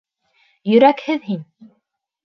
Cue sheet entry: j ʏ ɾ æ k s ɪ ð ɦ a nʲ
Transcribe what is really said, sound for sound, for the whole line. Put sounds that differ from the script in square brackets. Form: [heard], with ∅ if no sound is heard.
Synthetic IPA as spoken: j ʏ ɾ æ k [h] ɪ ð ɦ [i] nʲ